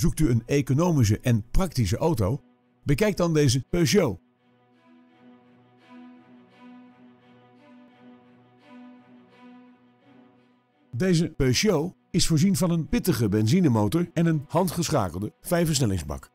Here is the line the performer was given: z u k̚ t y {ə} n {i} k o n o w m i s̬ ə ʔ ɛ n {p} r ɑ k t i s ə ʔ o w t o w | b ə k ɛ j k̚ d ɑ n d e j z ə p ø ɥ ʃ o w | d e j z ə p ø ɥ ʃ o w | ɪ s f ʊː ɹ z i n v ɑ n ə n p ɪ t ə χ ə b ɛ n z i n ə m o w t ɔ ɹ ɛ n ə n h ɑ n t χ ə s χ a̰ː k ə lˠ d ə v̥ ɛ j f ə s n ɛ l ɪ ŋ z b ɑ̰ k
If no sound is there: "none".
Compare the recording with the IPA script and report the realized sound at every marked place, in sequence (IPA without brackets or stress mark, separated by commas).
ə, e, p